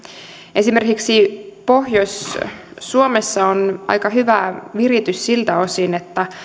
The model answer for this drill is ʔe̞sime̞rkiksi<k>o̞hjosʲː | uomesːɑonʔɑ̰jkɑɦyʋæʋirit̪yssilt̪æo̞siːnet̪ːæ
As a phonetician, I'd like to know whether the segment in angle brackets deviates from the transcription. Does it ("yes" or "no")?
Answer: yes